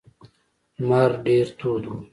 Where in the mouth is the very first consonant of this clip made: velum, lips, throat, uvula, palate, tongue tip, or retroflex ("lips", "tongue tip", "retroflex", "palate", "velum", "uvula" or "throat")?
lips